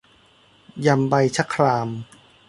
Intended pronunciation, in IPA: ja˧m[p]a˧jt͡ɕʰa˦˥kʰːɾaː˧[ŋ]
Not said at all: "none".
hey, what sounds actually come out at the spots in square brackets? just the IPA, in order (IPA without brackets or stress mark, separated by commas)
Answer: b, m